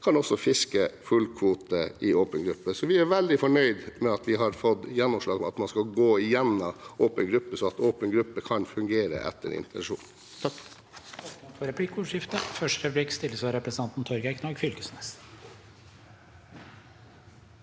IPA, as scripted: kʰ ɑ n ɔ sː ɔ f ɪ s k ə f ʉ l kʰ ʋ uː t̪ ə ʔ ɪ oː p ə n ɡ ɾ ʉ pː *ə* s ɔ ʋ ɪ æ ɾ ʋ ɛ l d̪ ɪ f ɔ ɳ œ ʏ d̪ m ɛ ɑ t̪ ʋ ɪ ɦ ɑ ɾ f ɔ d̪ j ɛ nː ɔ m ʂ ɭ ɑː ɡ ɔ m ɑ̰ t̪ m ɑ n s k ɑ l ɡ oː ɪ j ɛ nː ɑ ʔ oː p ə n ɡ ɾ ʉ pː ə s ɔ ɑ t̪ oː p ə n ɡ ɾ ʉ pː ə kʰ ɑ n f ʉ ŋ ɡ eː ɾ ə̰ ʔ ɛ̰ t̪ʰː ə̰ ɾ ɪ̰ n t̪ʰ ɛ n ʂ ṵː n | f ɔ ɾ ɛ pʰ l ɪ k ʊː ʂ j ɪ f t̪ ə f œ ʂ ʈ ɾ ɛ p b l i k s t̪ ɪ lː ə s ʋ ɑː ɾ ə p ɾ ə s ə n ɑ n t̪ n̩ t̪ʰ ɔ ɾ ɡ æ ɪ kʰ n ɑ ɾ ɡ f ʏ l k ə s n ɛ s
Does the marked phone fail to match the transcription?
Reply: no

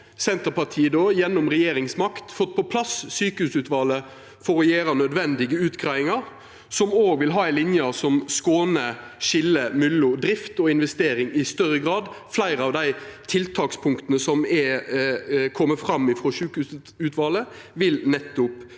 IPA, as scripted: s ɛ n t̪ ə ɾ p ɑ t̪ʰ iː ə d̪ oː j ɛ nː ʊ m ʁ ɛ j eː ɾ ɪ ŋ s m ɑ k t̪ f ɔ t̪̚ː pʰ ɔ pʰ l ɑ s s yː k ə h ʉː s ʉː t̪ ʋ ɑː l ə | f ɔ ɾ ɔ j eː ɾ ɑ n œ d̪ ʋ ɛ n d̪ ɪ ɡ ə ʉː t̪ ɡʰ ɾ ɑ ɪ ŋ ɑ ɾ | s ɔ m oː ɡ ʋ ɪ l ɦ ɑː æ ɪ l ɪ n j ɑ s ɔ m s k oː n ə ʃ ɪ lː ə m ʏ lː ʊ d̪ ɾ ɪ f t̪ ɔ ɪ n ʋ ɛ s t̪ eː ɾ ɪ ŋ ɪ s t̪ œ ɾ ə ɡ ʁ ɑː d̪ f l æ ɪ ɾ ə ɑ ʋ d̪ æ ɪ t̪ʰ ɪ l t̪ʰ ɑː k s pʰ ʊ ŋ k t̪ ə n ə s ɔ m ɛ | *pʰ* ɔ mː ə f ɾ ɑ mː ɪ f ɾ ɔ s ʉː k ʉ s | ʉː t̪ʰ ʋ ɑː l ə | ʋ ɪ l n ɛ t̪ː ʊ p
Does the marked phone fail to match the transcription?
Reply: yes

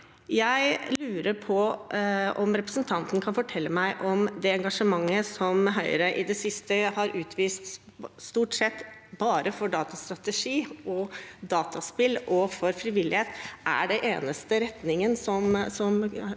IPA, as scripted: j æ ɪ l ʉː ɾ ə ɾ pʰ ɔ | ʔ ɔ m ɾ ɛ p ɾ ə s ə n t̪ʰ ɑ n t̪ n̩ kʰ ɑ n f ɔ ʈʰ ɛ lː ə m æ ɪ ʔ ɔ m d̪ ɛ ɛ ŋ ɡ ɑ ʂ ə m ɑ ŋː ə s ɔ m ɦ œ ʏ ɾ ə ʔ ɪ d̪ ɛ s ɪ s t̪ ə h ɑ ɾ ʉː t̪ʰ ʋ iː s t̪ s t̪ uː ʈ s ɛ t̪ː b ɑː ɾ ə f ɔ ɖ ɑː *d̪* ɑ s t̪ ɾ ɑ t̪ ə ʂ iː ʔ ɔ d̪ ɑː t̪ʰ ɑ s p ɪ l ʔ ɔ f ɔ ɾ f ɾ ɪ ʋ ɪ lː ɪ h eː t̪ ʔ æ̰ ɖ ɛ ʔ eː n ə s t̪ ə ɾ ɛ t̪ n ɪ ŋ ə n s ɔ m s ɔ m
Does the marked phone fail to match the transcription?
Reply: yes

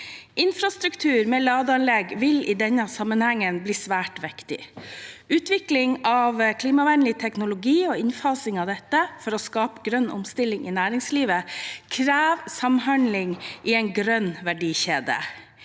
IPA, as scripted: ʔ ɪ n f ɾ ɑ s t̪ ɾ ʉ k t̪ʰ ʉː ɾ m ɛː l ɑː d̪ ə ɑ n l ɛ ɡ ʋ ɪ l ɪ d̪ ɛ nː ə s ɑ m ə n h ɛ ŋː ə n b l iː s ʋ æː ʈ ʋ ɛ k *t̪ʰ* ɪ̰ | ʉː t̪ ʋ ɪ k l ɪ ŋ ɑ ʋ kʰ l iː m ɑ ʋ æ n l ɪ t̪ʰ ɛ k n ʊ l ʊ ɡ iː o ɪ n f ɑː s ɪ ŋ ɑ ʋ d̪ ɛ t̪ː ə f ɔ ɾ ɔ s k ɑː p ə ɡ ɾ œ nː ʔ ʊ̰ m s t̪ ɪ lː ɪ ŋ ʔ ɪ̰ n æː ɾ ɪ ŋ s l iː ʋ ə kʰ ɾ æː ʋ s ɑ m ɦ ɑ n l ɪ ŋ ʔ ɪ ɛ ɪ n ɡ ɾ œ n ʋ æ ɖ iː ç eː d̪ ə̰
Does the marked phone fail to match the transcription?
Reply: yes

